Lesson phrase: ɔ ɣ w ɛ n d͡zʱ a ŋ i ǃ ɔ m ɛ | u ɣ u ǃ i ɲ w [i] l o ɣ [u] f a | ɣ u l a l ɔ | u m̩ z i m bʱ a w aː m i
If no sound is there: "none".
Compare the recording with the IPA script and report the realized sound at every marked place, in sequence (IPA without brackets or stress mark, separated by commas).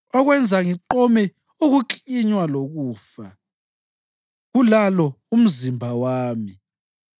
a, uː